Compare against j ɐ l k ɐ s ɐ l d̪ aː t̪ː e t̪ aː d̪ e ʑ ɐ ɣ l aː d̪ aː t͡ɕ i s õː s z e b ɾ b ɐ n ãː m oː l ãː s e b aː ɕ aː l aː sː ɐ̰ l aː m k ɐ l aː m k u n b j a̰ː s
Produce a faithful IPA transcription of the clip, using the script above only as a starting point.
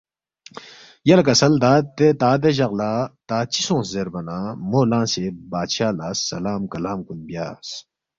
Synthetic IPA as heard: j ɐ l k ɐ s ɐ l d̪ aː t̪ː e t̪ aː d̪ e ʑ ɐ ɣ l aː t̪ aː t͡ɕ i s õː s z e ɾ b ɐ n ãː m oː l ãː s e b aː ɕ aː l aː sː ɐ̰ l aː m k ɐ l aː m k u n b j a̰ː s